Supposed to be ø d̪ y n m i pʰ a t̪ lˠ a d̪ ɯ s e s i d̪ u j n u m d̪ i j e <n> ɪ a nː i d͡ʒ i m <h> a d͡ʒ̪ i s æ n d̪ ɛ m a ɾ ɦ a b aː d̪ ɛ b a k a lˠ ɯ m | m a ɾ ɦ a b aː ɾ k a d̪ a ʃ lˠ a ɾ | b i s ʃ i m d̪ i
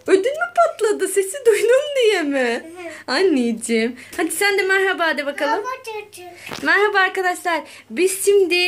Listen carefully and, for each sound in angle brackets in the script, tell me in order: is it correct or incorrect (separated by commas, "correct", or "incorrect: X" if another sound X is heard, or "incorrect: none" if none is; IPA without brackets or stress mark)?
incorrect: m, correct